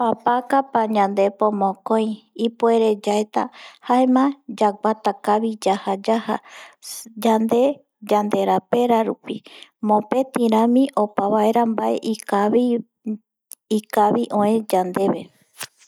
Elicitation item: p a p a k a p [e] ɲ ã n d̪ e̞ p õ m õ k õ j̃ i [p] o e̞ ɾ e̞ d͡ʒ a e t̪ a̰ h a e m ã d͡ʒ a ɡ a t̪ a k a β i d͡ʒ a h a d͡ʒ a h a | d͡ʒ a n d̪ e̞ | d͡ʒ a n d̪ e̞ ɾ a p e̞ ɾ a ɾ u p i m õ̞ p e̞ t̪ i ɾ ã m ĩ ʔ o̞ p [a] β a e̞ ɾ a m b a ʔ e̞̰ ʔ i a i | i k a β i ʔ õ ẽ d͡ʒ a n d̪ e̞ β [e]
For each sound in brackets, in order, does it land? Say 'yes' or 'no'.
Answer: no, yes, yes, yes

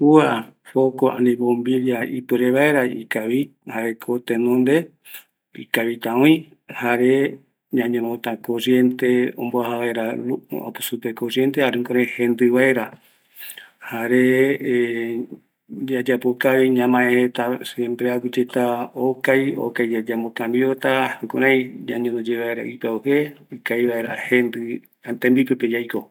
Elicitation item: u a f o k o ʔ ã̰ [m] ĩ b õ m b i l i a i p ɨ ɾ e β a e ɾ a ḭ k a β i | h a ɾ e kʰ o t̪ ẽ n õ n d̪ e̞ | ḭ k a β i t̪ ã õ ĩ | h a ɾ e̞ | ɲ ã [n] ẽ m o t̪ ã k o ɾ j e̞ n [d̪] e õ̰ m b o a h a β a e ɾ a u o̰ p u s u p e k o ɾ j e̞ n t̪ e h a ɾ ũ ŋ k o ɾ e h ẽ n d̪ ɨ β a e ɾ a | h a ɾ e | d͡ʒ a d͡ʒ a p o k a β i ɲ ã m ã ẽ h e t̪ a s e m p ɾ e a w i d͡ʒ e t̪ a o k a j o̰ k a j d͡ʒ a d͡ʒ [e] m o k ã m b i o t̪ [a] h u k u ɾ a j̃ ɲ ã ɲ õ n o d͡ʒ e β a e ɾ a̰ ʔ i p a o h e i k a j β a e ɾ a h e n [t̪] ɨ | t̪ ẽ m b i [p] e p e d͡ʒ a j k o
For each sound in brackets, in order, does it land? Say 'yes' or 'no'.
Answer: no, no, no, no, yes, no, yes

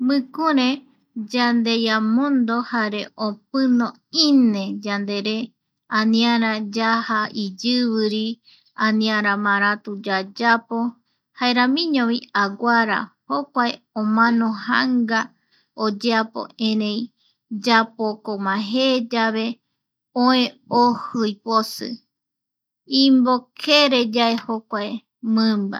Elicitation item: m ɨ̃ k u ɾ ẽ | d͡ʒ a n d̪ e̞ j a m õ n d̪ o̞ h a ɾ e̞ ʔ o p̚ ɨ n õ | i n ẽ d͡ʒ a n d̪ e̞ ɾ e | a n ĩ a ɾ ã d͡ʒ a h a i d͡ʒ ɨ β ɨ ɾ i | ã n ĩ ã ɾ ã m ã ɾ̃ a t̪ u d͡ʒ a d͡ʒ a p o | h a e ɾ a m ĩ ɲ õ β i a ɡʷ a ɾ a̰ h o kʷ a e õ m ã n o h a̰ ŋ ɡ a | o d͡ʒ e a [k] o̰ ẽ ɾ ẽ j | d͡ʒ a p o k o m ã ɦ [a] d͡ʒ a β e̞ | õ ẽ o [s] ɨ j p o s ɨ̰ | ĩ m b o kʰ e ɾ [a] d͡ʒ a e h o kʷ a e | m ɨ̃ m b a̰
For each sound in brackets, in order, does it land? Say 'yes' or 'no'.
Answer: no, no, no, no

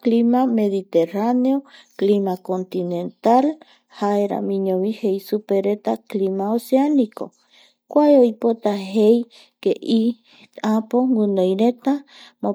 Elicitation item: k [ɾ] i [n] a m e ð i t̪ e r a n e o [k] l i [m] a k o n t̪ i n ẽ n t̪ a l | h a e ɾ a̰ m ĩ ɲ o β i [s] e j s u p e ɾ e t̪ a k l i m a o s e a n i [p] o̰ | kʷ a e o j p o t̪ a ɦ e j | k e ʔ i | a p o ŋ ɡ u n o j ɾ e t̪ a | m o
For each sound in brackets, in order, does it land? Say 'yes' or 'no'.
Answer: no, no, yes, yes, no, no

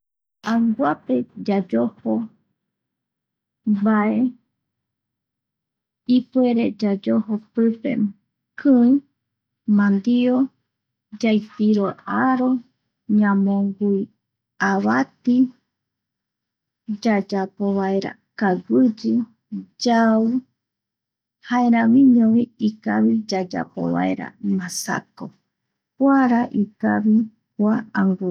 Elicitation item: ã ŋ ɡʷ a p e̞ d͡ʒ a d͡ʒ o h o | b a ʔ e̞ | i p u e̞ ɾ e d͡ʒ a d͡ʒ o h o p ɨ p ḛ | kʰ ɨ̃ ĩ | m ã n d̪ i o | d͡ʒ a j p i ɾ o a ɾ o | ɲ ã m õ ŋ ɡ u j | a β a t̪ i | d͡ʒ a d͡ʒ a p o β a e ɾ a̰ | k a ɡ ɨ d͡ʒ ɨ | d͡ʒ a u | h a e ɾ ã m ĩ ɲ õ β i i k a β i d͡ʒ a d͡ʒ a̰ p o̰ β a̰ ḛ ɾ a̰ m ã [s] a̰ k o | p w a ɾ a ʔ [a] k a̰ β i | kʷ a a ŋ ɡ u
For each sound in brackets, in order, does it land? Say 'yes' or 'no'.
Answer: yes, no

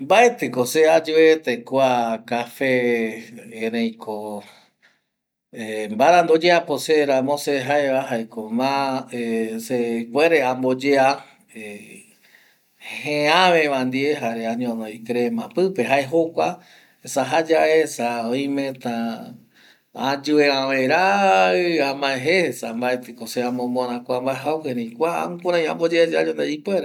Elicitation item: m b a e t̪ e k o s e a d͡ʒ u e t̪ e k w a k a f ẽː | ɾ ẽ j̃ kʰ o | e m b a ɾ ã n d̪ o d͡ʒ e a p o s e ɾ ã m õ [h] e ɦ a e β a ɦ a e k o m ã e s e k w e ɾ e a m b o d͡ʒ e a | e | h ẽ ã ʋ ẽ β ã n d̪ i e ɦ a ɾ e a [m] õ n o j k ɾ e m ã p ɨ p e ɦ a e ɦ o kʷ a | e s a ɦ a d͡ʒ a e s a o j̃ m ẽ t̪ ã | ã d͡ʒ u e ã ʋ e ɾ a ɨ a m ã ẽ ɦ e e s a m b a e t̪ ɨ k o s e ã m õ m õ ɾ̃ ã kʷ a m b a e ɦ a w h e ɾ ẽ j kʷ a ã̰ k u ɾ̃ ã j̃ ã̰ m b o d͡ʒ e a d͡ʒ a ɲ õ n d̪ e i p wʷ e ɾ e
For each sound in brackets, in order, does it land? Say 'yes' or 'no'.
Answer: no, no

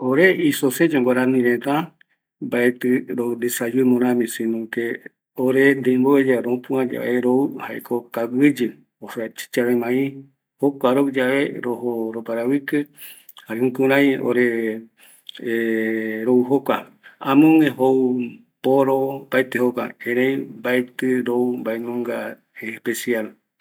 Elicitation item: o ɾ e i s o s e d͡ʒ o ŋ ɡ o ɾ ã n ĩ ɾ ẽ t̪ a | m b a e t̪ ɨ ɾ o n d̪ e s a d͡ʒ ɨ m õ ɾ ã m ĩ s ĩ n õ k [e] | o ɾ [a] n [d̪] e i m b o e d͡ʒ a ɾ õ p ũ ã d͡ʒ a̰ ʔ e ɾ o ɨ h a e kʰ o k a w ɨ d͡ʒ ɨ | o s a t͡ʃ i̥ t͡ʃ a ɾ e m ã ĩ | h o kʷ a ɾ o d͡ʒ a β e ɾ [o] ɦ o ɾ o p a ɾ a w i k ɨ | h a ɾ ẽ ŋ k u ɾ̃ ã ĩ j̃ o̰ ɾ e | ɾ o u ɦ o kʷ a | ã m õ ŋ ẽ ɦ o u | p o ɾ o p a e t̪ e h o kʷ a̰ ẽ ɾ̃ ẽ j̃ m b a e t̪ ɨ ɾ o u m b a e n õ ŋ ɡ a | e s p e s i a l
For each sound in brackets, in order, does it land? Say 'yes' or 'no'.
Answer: yes, no, yes, yes

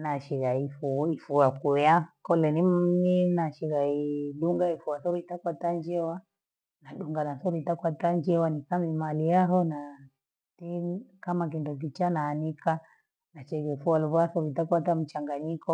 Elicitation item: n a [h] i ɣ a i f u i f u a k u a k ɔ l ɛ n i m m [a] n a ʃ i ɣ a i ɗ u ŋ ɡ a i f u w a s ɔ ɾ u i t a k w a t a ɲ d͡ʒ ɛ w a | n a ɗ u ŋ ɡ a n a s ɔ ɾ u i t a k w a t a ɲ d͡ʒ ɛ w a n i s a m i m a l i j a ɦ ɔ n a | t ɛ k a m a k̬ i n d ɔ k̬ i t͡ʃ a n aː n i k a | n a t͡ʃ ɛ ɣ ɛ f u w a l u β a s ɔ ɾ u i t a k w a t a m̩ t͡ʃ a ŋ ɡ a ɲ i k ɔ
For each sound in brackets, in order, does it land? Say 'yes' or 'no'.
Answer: no, no

